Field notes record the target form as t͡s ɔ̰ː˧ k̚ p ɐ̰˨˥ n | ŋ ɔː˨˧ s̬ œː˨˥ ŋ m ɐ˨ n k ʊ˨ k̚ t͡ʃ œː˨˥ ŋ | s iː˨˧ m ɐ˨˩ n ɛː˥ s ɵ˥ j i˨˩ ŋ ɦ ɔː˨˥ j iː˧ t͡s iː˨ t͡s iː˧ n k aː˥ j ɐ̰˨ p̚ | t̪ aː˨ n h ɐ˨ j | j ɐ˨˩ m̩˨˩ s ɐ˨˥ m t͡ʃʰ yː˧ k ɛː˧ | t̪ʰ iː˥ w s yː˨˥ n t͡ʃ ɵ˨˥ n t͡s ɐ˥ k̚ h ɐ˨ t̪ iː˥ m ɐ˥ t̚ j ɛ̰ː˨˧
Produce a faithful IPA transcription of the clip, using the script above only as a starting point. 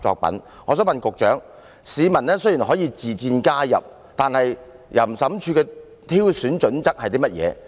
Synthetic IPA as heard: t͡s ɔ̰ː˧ k̚ p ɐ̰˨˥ n | ŋ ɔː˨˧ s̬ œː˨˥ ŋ m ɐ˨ n k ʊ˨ k̚ t͡ʃ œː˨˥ ŋ | s iː˨˧ m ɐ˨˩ n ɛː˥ s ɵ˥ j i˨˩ n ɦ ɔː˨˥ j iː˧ t͡s iː˨ t͡s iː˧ n k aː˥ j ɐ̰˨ p̚ | t̪ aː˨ n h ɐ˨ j | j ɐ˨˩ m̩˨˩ s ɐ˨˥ m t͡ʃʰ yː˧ k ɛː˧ | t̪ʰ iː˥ w s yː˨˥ n t͡ʃ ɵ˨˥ n t͡s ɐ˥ k̚ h ɐ˨ t̪ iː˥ m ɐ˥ t̚ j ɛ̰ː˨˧